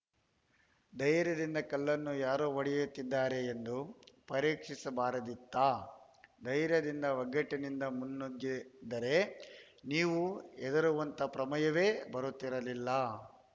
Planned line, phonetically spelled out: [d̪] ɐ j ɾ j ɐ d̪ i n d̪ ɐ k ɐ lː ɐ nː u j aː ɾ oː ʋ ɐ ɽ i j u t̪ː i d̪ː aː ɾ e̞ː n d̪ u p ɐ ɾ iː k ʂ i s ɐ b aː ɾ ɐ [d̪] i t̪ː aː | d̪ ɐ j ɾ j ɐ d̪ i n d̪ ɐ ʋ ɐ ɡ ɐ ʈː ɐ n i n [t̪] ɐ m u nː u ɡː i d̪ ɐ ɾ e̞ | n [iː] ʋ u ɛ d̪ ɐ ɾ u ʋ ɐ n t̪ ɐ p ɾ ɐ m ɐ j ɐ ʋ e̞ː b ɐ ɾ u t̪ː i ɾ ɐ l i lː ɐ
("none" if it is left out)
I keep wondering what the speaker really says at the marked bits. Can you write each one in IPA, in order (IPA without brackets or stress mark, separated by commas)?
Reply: d̪, d̪, d̪, iː